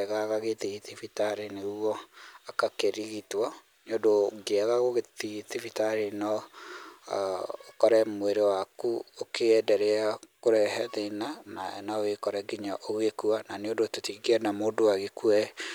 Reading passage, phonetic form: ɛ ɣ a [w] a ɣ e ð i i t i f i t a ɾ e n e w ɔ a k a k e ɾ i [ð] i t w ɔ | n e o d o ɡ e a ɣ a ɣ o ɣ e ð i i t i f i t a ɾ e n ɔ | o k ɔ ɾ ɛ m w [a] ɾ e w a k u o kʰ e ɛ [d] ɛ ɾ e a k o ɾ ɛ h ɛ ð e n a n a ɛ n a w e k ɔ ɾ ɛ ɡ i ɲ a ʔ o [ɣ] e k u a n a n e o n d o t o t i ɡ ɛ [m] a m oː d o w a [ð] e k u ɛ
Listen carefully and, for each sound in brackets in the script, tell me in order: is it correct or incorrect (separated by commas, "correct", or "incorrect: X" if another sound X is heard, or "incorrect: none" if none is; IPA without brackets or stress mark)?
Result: incorrect: ɣ, incorrect: ɣ, incorrect: e, correct, correct, incorrect: n, incorrect: ɣ